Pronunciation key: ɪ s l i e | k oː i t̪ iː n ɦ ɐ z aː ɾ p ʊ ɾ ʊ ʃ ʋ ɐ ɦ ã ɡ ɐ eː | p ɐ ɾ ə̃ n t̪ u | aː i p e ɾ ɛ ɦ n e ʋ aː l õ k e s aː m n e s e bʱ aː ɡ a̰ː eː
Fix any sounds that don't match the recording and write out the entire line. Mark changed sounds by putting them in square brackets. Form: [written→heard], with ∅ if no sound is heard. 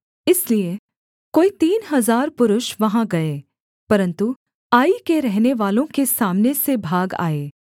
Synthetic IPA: ɪ s l i e | k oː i t̪ iː n ɦ ɐ z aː ɾ p ʊ ɾ ʊ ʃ ʋ ɐ ɦ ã ɡ ɐ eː | p ɐ ɾ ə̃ n t̪ u | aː i [p→k] e ɾ ɛ ɦ n e ʋ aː l õ k e s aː m n e s e bʱ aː ɡ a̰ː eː

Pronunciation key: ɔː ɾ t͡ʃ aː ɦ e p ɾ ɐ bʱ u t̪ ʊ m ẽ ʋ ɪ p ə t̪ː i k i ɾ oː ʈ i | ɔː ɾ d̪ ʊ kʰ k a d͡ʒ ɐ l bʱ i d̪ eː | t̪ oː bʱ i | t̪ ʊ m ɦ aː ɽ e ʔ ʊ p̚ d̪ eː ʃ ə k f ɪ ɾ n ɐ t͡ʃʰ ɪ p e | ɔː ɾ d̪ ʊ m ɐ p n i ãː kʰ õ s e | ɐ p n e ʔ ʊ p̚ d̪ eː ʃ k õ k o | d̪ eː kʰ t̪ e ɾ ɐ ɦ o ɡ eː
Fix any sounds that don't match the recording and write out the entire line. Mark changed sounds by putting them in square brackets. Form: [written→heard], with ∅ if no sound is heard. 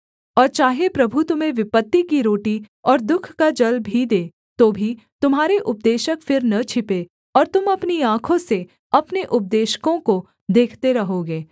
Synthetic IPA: ɔː ɾ t͡ʃ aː ɦ e p ɾ ɐ bʱ u t̪ ʊ m ẽ ʋ ɪ p ə t̪ː i k i ɾ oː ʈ i | ɔː ɾ d̪ ʊ kʰ k a d͡ʒ ɐ l bʱ i d̪ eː | t̪ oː bʱ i | t̪ ʊ m ɦ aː [ɽ→ɾ] e ʔ ʊ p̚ d̪ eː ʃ ə k f ɪ ɾ n ɐ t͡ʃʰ ɪ p e | ɔː ɾ [d̪→t̪] ʊ m ɐ p n i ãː kʰ õ s e | ɐ p n e ʔ ʊ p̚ d̪ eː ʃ k õ k o | d̪ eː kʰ t̪ e ɾ ɐ ɦ o ɡ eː

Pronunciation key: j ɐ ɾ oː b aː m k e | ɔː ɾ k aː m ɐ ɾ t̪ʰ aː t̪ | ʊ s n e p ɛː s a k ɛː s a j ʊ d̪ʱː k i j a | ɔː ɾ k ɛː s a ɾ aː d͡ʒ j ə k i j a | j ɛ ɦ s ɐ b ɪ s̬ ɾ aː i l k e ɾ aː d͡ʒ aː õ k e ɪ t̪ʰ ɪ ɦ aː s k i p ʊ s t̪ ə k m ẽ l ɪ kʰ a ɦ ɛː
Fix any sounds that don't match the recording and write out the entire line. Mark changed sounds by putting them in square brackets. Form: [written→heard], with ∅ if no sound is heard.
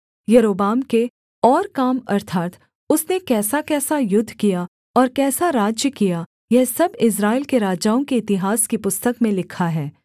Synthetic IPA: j ɐ ɾ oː b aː m k e | ɔː ɾ k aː m ɐ ɾ t̪ʰ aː t̪ | ʊ s n e [p→k] ɛː s a k ɛː s a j ʊ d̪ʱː k i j a | ɔː ɾ k ɛː s a ɾ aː d͡ʒ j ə k i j a | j ɛ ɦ s ɐ b ɪ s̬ ɾ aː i l k e ɾ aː d͡ʒ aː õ k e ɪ [t̪ʰ→t̪] ɪ ɦ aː s k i p ʊ s t̪ ə k m ẽ l ɪ kʰ a ɦ ɛː

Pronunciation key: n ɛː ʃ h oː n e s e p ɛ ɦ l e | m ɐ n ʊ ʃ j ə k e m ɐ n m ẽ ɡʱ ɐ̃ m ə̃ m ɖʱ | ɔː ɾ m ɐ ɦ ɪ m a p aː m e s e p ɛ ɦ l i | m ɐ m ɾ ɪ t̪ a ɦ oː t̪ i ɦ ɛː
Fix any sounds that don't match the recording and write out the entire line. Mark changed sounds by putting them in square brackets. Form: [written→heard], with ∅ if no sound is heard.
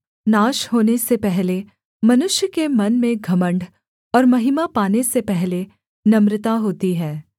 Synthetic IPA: n [ɛː→aː] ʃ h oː n e s e p ɛ ɦ l e | m ɐ n ʊ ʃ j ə k e m ɐ n m ẽ ɡʱ [ɐ̃→ɐ] m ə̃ [m→ɳ] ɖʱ | ɔː ɾ m ɐ ɦ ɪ m a p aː [m→n] e s e p ɛ ɦ l [i→e] | [m→n] ɐ m ɾ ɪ t̪ a ɦ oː t̪ i ɦ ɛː

